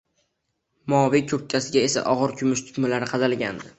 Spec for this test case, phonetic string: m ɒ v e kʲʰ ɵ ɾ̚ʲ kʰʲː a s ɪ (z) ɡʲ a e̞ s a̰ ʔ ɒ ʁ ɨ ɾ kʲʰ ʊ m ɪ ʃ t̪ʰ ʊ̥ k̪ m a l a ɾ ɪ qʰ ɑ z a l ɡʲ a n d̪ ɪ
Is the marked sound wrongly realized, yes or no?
yes